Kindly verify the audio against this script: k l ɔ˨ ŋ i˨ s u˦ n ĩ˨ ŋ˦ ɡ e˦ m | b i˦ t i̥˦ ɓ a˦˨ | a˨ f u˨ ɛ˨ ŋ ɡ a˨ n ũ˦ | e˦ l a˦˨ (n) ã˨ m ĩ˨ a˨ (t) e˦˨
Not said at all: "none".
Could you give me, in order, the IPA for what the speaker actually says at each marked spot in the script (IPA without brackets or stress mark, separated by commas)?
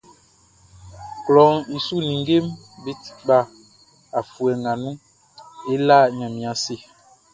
ɲ, s